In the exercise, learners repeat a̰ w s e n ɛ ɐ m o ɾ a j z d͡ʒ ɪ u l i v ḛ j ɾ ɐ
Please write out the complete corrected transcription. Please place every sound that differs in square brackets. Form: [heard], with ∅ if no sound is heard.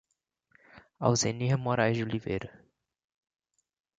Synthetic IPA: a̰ w [z] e n [i] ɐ m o ɾ a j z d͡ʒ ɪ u l i v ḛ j ɾ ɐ